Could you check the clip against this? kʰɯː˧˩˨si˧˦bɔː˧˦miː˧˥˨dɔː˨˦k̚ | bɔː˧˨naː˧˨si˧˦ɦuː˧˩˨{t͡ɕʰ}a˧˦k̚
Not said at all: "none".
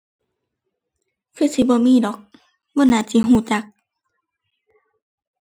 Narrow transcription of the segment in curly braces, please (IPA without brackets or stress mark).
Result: t͡ɕ